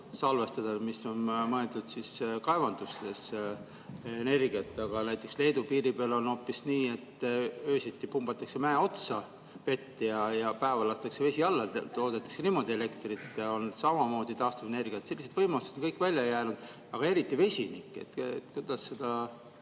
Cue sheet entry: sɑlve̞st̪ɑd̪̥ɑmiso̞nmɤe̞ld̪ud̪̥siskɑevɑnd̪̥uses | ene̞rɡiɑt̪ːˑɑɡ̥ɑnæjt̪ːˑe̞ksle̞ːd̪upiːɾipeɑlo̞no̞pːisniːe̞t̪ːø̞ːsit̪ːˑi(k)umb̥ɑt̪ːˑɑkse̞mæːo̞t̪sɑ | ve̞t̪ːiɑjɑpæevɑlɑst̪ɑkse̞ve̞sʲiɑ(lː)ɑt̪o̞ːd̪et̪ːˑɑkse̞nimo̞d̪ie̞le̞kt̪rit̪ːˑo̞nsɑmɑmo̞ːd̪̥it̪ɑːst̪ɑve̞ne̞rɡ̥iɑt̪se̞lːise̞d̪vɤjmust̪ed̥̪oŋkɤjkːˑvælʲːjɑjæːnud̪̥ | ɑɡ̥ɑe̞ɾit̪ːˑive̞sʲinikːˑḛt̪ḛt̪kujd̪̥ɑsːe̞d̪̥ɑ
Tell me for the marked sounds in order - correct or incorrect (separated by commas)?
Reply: incorrect, correct